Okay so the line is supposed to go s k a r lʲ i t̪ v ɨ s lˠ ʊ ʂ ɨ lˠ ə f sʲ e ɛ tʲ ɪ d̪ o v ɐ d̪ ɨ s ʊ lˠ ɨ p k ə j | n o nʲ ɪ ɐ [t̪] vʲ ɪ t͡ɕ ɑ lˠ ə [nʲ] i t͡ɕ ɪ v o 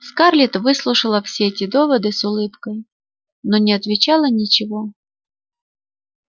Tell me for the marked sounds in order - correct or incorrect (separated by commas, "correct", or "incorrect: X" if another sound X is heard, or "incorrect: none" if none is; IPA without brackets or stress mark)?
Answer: correct, correct